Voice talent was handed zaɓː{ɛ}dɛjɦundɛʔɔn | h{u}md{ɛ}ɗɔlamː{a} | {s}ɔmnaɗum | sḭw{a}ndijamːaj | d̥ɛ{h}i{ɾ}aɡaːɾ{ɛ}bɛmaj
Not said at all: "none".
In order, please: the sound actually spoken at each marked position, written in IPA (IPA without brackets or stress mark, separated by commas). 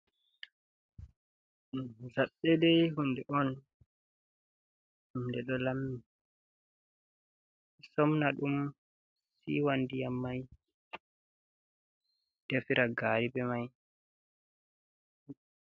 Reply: ɛ, u, ɛ, i, s, a, f, ɾ, i